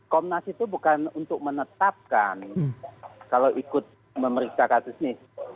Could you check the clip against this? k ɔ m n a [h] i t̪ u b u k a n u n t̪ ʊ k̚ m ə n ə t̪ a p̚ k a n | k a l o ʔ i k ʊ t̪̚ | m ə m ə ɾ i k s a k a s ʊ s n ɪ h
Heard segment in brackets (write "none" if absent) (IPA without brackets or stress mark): s